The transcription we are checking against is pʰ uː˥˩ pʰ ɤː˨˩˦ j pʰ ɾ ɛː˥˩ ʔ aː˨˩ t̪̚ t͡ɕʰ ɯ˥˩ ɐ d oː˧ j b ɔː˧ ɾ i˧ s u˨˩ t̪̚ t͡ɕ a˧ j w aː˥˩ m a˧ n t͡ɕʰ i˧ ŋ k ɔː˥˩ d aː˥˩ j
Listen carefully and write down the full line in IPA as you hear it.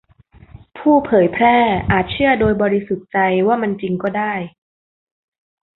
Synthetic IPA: pʰ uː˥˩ pʰ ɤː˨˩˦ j pʰ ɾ ɛː˥˩ ʔ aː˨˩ t̪̚ t͡ɕʰ ɯ˥˩ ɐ d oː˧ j b ɔː˧ ɾ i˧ s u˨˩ t̪̚ t͡ɕ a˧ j w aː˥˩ m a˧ n t͡ɕ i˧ ŋ k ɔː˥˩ d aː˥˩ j